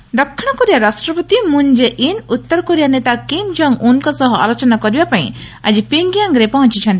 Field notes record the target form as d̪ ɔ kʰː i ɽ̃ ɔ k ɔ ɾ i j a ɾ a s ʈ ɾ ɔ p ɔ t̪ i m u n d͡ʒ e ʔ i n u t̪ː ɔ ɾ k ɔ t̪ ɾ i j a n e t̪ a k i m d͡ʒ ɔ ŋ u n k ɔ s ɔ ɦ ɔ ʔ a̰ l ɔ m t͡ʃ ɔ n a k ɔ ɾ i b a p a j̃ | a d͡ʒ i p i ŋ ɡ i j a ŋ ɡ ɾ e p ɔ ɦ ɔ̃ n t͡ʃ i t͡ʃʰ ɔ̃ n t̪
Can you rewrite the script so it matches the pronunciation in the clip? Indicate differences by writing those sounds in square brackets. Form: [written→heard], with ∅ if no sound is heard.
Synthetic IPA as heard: d̪ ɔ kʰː i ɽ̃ ɔ k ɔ ɾ i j a ɾ a s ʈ ɾ ɔ p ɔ t̪ i m u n d͡ʒ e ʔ i n u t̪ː ɔ ɾ k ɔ [t̪→∅] ɾ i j a n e t̪ a k i m d͡ʒ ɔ ŋ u n k ɔ s ɔ ɦ ɔ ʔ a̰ l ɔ [m→∅] t͡ʃ ɔ n a k ɔ ɾ i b a p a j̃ | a d͡ʒ i p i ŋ ɡ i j a ŋ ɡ ɾ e p ɔ ɦ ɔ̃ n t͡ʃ i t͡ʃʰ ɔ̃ n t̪